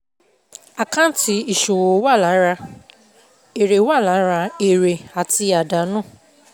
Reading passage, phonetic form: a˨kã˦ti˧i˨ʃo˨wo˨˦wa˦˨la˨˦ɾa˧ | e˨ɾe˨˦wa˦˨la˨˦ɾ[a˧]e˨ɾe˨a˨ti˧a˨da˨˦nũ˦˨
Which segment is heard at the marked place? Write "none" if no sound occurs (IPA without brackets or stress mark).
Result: a˧